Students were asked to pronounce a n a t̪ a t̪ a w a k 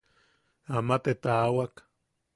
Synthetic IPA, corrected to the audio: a m a t̪ e t̪ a w a k